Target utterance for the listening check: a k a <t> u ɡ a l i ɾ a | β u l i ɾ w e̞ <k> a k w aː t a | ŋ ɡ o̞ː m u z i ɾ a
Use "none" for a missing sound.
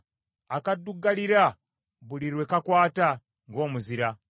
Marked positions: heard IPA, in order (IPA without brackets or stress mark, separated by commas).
d, k